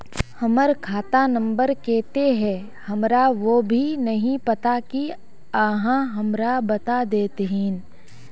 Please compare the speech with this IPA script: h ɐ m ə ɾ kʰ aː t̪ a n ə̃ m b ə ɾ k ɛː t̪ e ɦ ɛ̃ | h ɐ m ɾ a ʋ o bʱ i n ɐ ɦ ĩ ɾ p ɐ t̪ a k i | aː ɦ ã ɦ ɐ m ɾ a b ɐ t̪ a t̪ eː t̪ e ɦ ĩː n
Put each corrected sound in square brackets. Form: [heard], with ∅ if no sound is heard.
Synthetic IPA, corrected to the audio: h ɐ m ə ɾ kʰ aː t̪ a n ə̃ m b ə ɾ k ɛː t̪ e ɦ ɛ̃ | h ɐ m ɾ a ʋ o bʱ i n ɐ ɦ ĩ [∅] p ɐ t̪ a k i | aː ɦ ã ɦ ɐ m ɾ a b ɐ t̪ a [d̪] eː t̪ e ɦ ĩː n